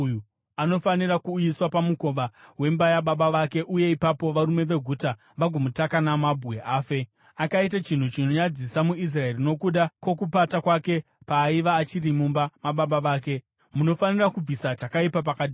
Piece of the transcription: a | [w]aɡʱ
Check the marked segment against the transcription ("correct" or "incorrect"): incorrect